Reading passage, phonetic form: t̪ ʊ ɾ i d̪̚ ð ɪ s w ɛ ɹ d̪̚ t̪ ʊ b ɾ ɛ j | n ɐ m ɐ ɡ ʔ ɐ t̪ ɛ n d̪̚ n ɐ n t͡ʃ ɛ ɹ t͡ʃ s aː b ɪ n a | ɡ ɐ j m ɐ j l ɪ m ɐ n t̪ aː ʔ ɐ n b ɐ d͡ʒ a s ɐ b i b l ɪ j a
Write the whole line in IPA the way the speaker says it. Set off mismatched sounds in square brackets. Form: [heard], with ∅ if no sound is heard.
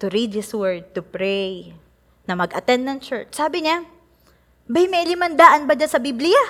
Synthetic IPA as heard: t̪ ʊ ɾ i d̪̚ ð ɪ s w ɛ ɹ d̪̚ t̪ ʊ [p] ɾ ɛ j | n ɐ m ɐ ɡ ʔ ɐ t̪ ɛ n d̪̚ n ɐ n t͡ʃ ɛ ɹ t͡ʃ s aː b ɪ [ɲ] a | [b] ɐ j m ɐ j l ɪ m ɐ n [d̪] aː ʔ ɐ n b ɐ d͡ʒ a s ɐ b i b l ɪ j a